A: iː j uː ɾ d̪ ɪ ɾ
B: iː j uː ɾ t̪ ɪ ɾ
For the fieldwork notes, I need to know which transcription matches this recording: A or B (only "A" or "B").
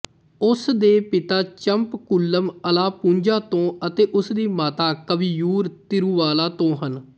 B